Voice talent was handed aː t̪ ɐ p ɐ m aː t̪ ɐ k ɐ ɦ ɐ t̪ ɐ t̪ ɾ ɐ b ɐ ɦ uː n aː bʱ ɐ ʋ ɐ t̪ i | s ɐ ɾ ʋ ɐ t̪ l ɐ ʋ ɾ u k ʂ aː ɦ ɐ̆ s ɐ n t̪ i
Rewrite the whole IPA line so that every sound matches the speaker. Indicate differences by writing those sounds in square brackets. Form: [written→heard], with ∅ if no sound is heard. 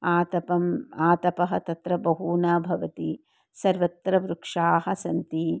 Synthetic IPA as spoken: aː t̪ ɐ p ɐ m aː t̪ ɐ [k→p] ɐ ɦ ɐ t̪ ɐ t̪ ɾ ɐ b ɐ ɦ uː n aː bʱ ɐ ʋ ɐ t̪ i | s ɐ ɾ ʋ ɐ t̪ [l→ɾ] ɐ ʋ ɾ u k ʂ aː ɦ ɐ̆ s ɐ n t̪ i